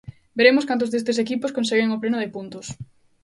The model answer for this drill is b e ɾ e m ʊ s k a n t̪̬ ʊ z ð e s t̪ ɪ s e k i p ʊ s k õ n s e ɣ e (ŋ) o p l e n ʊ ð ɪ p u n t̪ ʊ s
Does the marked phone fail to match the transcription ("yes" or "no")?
no